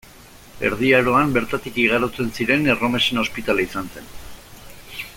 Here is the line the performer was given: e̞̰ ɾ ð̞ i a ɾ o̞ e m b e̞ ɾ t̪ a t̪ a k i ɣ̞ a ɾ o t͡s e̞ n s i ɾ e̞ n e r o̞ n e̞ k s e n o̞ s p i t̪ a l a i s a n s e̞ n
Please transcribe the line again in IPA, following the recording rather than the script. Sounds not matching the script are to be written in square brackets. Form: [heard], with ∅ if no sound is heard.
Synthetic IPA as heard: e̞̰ ɾ ð̞ i a ɾ o̞ [a] m b e̞ ɾ t̪ a t̪ [i] k i ɣ̞ a ɾ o t͡s e̞ n s i ɾ e̞ n e r o̞ [m] e̞ [∅] s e n o̞ s p i t̪ a l a i s a n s e̞ n